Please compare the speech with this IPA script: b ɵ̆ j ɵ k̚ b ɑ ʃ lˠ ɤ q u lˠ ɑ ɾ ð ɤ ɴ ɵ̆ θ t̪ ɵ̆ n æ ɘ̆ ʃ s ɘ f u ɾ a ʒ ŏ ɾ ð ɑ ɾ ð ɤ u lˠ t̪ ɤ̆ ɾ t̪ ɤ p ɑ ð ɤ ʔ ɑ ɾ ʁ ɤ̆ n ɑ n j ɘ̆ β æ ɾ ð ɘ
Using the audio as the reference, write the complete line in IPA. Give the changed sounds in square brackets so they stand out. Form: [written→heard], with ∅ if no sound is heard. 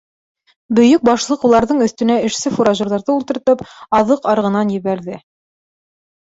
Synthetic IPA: b ɵ̆ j ɵ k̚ b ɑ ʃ lˠ ɤ q u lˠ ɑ ɾ ð ɤ ɴ ɵ̆ θ t̪ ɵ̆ n æ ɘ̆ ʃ s ɘ f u ɾ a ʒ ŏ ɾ ð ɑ ɾ ð ɤ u lˠ t̪ ɤ̆ ɾ t̪ ɤ p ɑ ð ɤ [ʔ→q] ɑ ɾ ʁ ɤ̆ n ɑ n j ɘ̆ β æ ɾ ð ɘ